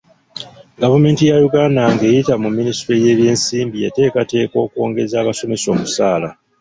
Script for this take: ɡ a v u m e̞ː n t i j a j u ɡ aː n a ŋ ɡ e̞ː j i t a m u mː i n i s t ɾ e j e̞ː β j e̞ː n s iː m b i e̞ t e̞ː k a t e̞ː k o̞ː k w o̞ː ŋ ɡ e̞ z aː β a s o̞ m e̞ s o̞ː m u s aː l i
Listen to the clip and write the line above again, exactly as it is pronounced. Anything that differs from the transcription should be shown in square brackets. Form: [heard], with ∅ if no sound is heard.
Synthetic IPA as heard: ɡ a v u m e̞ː n t i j a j u ɡ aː n a ŋ ɡ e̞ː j i t a m u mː i n i s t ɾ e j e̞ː β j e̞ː n s iː m b i e̞ t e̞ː k a t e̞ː k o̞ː k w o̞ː ŋ ɡ e̞ z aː β a s o̞ m e̞ s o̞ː m u s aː l [a]